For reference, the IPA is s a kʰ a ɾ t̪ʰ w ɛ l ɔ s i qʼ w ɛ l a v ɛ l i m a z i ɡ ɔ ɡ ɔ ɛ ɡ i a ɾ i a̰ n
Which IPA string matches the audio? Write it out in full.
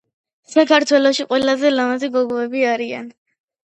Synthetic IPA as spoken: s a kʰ a ɾ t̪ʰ w ɛ l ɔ ʃ i qʼ w ɛ l a z ɛ l a m a z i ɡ ɔ ɡ ɔ ɛ b i a ɾ i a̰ n